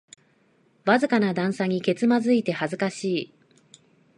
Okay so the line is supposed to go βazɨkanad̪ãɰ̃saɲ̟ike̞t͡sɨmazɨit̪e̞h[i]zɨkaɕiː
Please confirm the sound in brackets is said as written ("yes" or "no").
no